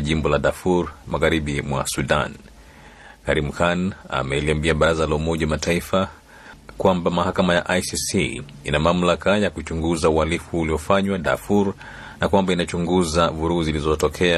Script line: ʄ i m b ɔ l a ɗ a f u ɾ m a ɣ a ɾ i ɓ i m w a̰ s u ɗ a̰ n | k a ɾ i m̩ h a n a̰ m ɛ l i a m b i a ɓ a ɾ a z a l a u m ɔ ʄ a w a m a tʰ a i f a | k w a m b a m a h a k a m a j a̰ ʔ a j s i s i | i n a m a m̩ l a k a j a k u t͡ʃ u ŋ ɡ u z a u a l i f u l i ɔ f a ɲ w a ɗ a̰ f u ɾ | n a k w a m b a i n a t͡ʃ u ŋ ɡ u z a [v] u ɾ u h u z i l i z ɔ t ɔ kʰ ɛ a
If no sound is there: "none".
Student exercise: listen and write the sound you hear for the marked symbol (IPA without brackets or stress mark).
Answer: v